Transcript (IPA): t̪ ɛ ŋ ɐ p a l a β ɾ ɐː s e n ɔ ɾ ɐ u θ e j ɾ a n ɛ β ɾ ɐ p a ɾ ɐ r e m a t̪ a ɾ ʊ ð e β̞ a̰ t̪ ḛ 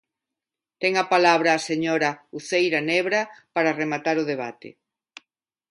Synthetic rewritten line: t̪ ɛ ŋ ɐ p a l a β ɾ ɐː s e ɲ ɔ ɾ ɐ u θ e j ɾ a n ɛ β ɾ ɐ p a ɾ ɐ r e m a t̪ a ɾ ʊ ð e β̞ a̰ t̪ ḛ